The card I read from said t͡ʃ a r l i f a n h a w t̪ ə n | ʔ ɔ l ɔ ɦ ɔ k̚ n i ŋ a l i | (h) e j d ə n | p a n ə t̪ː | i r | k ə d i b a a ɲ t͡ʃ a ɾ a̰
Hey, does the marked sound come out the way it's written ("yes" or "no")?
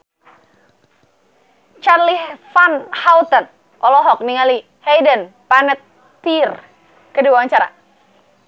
yes